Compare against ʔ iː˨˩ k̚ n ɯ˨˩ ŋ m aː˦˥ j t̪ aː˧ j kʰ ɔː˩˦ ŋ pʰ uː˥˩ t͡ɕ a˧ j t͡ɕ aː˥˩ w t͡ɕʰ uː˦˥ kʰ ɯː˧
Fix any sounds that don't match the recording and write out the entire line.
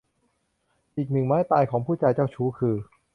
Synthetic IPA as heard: ʔ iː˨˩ k̚ n ɯ˨˩ ŋ m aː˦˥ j t̪ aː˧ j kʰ ɔː˩˦ ŋ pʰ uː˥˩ t͡ɕ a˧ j t͡ɕ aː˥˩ w t͡ɕʰ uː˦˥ kʰ ɯː˧